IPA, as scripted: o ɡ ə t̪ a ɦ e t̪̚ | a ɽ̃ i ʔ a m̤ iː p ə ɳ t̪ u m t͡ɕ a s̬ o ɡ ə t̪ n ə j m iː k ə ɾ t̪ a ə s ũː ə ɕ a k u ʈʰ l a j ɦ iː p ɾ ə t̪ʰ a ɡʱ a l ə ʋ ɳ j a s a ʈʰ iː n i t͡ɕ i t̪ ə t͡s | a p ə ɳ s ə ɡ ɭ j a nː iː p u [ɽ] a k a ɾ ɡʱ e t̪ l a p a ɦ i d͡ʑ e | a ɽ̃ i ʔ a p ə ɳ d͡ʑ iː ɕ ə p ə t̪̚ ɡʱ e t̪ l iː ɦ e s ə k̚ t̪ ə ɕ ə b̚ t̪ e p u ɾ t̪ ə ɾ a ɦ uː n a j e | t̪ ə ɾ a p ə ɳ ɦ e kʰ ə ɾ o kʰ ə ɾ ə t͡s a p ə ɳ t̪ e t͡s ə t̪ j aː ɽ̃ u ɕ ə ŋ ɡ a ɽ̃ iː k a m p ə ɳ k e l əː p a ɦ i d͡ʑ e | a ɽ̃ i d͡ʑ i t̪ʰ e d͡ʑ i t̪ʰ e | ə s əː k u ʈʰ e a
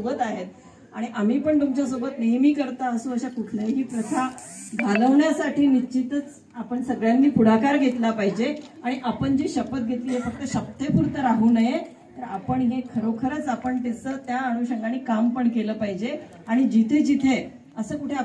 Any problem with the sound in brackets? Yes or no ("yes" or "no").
no